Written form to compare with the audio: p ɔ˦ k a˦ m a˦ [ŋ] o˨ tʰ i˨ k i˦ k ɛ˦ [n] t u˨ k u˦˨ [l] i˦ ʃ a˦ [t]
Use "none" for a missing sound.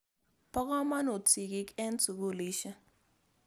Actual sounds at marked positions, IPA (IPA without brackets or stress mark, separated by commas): n, n, l, none